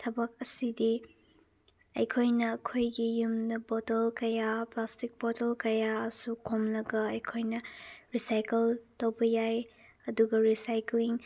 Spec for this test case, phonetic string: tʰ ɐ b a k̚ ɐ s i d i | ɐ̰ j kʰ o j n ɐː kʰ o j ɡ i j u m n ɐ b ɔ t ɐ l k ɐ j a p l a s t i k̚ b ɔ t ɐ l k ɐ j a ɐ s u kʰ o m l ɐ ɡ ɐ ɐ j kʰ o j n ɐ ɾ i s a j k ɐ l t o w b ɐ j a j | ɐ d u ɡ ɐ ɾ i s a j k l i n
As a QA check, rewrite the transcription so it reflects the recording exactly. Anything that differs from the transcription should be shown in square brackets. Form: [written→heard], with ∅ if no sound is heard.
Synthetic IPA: tʰ ɐ b [a→ɐ] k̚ ɐ s i d i | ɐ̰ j kʰ o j n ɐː kʰ o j ɡ i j u m n ɐ b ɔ t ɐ l k ɐ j a p l a s t i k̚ b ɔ t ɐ l k ɐ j a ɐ s u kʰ o m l ɐ ɡ ɐ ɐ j kʰ o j n ɐ ɾ i s a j k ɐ l t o w b ɐ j a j | ɐ d u ɡ ɐ ɾ i s a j k l i [n→ŋ]